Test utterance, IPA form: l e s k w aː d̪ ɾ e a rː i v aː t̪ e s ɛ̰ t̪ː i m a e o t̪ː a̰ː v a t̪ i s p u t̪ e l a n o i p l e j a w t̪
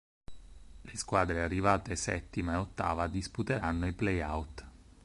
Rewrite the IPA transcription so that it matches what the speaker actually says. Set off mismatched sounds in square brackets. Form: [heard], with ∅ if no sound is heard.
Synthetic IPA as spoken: l e s k w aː d̪ ɾ e a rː i v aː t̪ e s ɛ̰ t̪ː i m a e o t̪ː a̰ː v a [d̪] i s p u t̪ e [ɾ] a [nː] o i p l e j a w t̪

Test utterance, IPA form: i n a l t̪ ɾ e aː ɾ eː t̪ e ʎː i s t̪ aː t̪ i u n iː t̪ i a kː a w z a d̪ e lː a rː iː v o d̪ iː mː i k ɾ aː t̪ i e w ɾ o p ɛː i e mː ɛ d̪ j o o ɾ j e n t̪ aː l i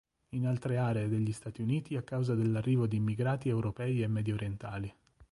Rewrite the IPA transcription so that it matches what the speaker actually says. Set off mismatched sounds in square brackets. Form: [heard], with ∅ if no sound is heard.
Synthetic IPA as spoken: i n a l t̪ ɾ e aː ɾ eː [d̪] e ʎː i s t̪ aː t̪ i u n iː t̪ i a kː a w z a d̪ e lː a rː iː v o d̪ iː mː i [ɡ] ɾ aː t̪ i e w ɾ o p ɛː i e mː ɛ d̪ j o o ɾ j e n t̪ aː l i

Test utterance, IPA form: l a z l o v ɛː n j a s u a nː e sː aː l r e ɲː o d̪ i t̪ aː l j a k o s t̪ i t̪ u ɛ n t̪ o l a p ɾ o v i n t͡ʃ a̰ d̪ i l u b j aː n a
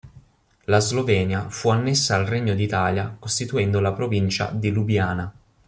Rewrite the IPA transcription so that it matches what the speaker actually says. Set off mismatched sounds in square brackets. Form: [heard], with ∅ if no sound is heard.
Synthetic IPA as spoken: l a z l o v ɛː n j a [f] u a nː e sː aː l r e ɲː o d̪ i t̪ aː l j a k o s t̪ i t̪ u ɛ n [d̪] o l a p ɾ o v i n t͡ʃ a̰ d̪ i l u b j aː n a

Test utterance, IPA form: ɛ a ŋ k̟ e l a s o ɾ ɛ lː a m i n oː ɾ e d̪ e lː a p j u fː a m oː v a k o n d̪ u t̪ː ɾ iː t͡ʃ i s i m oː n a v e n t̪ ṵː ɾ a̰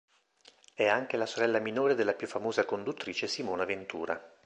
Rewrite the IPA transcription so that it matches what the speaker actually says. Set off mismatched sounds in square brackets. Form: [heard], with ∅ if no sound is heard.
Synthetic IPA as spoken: ɛ a ŋ k̟ e l a s o ɾ ɛ lː a m i n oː ɾ e d̪ e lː a p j u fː a m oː [z] a k o n d̪ u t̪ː ɾ iː t͡ʃ [e] s i m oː n a v e n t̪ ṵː ɾ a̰

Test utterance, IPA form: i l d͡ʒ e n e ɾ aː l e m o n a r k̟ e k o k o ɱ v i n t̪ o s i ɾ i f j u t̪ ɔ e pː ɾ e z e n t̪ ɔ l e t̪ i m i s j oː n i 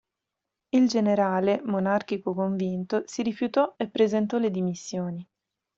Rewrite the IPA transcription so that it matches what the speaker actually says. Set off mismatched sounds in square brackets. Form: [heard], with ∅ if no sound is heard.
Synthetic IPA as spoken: i l d͡ʒ e n e ɾ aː l e m o n a r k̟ [i] k o k o ɱ v i n t̪ o s i ɾ i f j u t̪ ɔ e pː ɾ e z e n t̪ ɔ l e [d̪] i m i [sː] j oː n i

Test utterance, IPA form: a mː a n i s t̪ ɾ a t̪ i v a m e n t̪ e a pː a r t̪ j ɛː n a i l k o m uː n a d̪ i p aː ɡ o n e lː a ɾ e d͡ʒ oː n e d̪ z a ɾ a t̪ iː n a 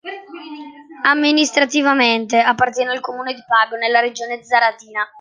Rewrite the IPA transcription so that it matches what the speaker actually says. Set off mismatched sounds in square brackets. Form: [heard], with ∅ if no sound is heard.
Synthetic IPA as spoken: a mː [i] n i s t̪ ɾ a t̪ i v a m e n t̪ e a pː a r t̪ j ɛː n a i l k o m uː n [e] d̪ i p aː ɡ o n e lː a ɾ e d͡ʒ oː n e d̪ z a ɾ a t̪ iː n a

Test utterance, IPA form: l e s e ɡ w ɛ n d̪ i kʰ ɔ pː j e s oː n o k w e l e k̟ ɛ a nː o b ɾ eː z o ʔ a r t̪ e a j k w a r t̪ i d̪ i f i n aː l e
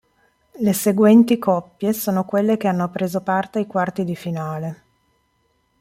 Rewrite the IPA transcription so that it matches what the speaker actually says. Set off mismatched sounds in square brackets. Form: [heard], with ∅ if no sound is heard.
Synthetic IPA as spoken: l e s e ɡ w ɛ n [t̪] i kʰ ɔ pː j e s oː n o k w e [lː] e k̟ [e] a nː o [p] ɾ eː z o [p] a r t̪ e a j k w a r t̪ i d̪ i f i n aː l e

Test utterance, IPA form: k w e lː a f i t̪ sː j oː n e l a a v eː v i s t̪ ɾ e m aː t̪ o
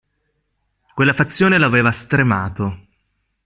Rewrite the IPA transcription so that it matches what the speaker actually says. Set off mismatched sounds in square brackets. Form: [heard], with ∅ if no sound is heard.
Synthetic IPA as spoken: k w e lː a f [a] t̪ sː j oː n e l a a v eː v [a] s t̪ ɾ e m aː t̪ o

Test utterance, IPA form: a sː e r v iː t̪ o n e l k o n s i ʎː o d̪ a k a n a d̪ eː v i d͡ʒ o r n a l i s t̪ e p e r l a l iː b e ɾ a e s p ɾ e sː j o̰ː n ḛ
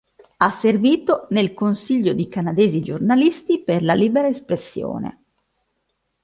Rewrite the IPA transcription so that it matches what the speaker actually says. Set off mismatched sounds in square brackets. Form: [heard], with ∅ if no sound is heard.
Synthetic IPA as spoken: a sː e r v iː t̪ o n e l k o n s i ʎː o d̪ [i] k a n a d̪ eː [z] i d͡ʒ o r n a l i s t̪ [i] p e r l a l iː b e ɾ a e s p ɾ e sː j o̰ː n ḛ

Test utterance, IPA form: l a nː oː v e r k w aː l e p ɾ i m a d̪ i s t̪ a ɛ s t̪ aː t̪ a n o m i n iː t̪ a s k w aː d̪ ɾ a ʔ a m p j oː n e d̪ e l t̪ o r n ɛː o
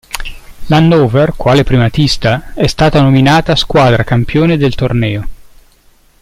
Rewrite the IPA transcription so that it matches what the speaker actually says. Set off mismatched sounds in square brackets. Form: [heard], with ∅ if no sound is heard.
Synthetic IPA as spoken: l a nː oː v e r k w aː l e p ɾ i m a [t̪] i s t̪ a ɛ s t̪ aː t̪ a n o m i n [aː] t̪ a s k w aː d̪ ɾ a [k] a m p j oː n e d̪ e l t̪ o r n ɛː o

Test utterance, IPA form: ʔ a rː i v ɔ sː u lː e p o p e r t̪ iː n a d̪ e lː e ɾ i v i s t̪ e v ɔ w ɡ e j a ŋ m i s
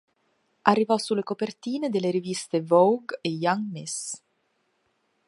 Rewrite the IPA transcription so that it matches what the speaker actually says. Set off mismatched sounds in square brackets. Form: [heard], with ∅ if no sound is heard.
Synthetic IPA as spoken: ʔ a rː i v ɔ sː u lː e [k] o p e r t̪ iː n [e] d̪ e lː e ɾ i v i s t̪ e v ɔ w ɡ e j a ŋ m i s

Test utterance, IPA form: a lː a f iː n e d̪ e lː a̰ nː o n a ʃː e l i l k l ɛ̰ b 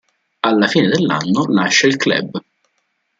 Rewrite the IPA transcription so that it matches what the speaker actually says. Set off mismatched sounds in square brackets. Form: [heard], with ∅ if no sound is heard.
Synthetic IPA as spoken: a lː a f iː n e d̪ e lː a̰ nː o n a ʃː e [∅] i l k l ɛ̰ b

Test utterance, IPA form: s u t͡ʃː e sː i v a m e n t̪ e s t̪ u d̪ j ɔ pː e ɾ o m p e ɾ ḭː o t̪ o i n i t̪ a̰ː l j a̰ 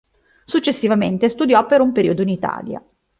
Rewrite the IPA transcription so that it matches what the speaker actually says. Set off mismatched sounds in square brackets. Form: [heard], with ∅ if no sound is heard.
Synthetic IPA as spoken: s u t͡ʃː e sː i v a m e n t̪ e s t̪ u d̪ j ɔ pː e ɾ [u] m p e ɾ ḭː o [d̪] o i n i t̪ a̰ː l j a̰

